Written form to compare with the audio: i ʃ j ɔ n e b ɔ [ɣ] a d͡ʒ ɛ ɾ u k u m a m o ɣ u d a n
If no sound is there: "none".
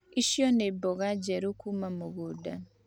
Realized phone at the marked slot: ɣ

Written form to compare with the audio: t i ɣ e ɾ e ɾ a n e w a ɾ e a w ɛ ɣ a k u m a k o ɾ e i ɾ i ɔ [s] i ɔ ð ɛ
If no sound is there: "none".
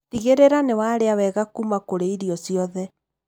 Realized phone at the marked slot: s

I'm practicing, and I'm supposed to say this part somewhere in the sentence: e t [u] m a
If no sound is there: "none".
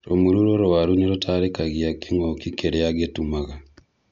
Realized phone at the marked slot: u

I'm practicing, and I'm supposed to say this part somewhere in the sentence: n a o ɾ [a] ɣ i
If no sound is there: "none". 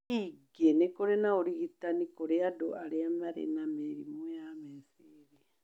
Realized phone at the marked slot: i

